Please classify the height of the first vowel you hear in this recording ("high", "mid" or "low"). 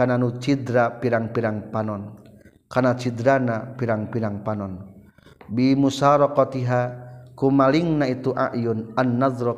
low